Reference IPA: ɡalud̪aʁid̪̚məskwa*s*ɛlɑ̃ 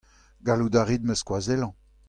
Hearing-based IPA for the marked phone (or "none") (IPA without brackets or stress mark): z